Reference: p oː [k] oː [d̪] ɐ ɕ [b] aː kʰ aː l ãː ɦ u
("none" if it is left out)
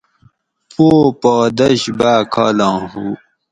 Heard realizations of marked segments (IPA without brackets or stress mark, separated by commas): p, d̪, b